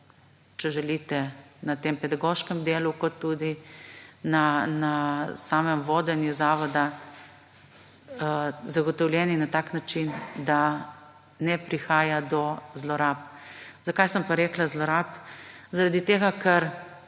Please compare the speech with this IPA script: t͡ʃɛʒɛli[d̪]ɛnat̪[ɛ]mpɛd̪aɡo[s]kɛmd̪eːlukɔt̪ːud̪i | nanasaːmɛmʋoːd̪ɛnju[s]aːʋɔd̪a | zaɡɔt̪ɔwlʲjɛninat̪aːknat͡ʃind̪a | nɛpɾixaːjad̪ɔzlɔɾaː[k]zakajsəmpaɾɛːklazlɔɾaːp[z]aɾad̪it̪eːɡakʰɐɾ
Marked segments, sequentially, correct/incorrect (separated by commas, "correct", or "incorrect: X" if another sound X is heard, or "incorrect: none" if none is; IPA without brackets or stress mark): incorrect: t̪, incorrect: e, incorrect: ʃ, incorrect: z, incorrect: p, correct